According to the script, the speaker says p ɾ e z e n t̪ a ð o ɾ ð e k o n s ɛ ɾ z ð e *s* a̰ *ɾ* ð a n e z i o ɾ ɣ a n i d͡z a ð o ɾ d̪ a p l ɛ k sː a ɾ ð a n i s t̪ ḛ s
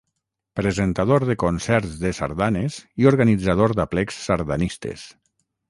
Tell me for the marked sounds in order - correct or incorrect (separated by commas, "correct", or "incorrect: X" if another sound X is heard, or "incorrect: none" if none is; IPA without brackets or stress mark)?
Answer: correct, correct